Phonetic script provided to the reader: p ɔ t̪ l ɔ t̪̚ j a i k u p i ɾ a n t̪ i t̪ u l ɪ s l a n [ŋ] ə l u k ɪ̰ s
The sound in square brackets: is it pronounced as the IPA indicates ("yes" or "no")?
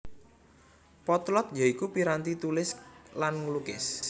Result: yes